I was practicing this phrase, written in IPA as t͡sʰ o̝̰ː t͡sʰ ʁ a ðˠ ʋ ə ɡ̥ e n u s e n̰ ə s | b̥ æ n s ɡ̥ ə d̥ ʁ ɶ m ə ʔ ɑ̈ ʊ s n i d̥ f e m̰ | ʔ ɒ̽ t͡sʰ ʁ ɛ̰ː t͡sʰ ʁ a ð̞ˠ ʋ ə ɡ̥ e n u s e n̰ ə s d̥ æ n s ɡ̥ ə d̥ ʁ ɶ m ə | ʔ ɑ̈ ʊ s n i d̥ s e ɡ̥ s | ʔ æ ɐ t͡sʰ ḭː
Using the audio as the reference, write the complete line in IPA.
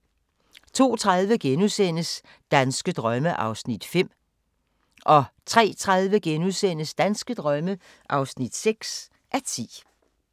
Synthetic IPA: t͡sʰ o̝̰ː t͡sʰ ʁ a ðˠ ʋ ə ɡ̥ e n u s e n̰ ə s | d̥ æ n s ɡ̥ ə d̥ ʁ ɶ m ə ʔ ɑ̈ ʊ s n i d̥ f e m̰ | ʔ ɒ̽ t͡sʰ ʁ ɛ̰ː t͡sʰ ʁ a ð̞ˠ ʋ ə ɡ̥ e n u s e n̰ ə s d̥ æ n s ɡ̥ ə d̥ ʁ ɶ m ə | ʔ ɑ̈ ʊ s n i d̥ s e ɡ̥ s | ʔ æ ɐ t͡sʰ ḭː

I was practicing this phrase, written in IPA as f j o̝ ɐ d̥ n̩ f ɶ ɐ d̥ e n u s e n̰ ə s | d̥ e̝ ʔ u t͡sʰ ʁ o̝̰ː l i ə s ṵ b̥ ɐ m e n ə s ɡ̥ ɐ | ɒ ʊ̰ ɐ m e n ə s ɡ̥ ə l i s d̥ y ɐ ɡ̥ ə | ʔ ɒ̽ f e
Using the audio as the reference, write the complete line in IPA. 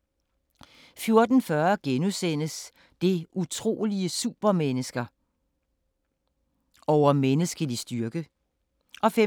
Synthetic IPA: f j o̝ ɐ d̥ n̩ f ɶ ɐ ɡ̥ e n u s e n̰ ə s | d̥ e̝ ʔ u t͡sʰ ʁ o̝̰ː l i ə s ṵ b̥ ɐ m e n ə s ɡ̥ ɐ | ɒ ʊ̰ ɐ m e n ə s ɡ̥ ə l i s d̥ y ɐ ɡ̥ ə | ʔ ɒ̽ f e

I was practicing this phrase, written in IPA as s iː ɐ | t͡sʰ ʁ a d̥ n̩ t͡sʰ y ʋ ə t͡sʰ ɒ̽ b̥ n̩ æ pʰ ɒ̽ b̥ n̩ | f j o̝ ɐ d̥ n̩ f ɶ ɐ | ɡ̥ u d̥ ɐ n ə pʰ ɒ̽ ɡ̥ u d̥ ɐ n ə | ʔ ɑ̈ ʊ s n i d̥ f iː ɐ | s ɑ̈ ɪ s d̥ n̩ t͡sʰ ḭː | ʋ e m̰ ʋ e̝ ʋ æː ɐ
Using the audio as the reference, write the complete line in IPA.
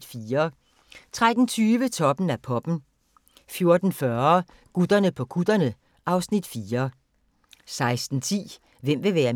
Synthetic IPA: f iː ɐ | t͡sʰ ʁ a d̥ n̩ t͡sʰ yː ʋ ə t͡sʰ ɒ̽ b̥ n̩ æ pʰ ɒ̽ b̥ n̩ | f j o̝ ɐ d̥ n̩ f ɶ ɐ | ɡ̥ u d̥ ɐ n ə pʰ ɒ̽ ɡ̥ u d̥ ɐ n ə | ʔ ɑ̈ ʊ s n i d̥ f iː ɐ | s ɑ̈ ɪ s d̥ n̩ t͡sʰ ḭː | ʋ e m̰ ʋ e̝ ʋ æː ɐ

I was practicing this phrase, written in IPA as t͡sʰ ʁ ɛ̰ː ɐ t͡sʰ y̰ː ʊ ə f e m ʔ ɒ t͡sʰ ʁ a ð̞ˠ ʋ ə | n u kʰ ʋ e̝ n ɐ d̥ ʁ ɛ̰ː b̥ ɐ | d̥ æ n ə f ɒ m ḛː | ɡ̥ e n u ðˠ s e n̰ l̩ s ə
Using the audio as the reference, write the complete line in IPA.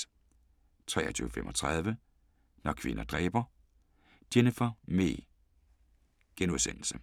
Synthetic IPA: t͡sʰ ʁ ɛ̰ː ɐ t͡sʰ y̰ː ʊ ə f e m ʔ ɒ t͡sʰ ʁ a ð̞ˠ ʋ ə | n ɒ kʰ ʋ e̝ n ɐ d̥ ʁ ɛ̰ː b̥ ɐ | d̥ e n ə f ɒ m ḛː | ɡ̥ e n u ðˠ s e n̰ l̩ s ə

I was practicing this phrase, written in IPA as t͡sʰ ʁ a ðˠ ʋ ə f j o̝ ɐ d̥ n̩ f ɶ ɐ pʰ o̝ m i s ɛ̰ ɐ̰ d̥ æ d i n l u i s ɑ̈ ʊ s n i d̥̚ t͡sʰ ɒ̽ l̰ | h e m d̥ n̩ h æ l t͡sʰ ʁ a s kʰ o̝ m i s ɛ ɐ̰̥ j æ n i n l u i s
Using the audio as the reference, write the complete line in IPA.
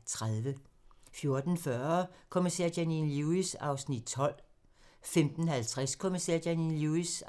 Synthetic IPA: t͡sʰ ʁ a ðˠ ʋ ə f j o̝ ɐ d̥ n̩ f ɶ ɐ kʰ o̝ m i s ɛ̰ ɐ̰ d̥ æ n i n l u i s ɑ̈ ʊ s n i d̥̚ t͡sʰ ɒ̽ l̰ | f e m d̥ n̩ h æ l t͡sʰ ʁ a s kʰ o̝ m i s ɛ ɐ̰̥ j æ n i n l u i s

